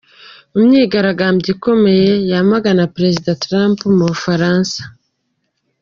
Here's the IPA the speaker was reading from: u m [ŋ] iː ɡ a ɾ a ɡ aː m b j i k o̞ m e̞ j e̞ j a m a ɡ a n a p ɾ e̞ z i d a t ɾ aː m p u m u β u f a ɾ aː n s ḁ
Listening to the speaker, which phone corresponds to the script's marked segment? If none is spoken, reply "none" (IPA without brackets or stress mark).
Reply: ɲ